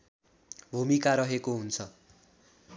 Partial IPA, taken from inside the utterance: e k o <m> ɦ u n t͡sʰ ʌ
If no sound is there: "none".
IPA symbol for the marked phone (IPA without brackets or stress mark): none